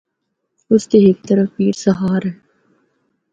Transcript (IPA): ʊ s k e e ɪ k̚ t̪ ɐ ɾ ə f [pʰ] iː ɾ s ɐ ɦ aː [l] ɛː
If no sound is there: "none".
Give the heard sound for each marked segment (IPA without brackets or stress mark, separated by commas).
p, ɾ